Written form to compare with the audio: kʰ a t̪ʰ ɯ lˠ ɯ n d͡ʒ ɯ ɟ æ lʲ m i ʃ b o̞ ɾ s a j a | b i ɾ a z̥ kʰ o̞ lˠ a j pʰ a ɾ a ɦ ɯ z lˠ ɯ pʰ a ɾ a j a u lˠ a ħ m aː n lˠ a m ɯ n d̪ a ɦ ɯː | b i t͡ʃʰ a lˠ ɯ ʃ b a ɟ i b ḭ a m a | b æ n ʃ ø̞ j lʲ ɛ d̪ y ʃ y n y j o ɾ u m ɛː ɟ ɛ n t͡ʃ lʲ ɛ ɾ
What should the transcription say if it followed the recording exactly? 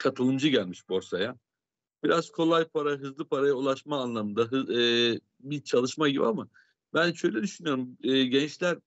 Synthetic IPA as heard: kʰ a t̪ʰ ɯ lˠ ɯ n d͡ʒ ɯ ɟ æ lʲ m i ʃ b o̞ ɾ s a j a | b i ɾ a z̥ kʰ o̞ lˠ a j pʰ a ɾ a ɦ ɯ z lˠ ɯ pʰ a ɾ a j a u lˠ a ʃ m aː n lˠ a m ɯ n d̪ a ɦ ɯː | b i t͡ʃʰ a lˠ ɯ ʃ m a ɟ i b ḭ a m a | b æ n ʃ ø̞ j lʲ ɛ d̪ y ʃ y n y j o ɾ u m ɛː ɟ ɛ n t͡ʃ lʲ æ ɾ